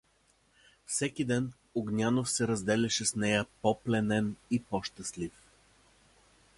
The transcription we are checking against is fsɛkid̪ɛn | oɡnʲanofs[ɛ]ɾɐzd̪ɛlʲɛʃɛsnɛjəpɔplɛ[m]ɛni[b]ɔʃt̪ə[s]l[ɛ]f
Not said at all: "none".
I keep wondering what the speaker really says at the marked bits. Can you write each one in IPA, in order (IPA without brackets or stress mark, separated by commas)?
ɛ, n, p, s, i